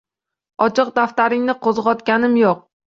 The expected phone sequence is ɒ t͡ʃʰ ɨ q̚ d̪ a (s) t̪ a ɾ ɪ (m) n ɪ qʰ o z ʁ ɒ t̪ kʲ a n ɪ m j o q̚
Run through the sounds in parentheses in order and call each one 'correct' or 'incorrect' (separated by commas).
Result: incorrect, incorrect